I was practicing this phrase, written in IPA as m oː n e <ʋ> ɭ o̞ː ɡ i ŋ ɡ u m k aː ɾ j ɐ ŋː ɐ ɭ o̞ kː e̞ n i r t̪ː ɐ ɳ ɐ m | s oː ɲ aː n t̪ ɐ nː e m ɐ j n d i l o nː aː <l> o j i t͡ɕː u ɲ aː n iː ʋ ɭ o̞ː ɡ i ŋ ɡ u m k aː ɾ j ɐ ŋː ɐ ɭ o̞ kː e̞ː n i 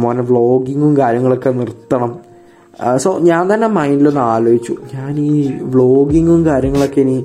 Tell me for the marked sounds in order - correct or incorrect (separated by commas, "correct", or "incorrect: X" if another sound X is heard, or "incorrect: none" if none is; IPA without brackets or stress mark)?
correct, correct